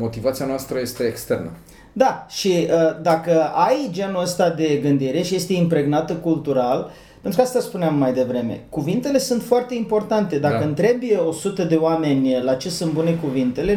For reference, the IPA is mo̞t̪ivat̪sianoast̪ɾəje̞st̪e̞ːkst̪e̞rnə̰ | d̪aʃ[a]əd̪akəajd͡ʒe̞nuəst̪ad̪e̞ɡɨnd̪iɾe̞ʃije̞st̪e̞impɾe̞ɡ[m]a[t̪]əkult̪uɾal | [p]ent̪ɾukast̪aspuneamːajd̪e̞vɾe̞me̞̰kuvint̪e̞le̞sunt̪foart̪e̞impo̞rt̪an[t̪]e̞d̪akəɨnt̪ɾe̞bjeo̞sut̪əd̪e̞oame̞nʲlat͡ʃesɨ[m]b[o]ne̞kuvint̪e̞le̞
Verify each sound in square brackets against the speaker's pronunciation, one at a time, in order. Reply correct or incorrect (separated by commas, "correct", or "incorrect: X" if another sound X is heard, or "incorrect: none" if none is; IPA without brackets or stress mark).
incorrect: i, incorrect: n, correct, correct, correct, incorrect: n, incorrect: u